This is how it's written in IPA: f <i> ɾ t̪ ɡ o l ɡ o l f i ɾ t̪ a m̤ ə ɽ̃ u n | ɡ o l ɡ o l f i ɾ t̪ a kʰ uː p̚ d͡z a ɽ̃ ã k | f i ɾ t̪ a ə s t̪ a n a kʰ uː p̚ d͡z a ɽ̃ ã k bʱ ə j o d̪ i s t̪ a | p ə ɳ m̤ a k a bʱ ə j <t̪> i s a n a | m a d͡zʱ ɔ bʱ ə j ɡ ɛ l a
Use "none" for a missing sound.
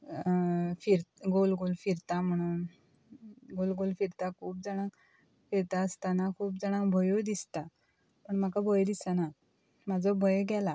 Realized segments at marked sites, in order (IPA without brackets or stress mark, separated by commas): i, d̪